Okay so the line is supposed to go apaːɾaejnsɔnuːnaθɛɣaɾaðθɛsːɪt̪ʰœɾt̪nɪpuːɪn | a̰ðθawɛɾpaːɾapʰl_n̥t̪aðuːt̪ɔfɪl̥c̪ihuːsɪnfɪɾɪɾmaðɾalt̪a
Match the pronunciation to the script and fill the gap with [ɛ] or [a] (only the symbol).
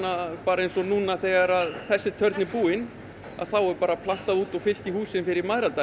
a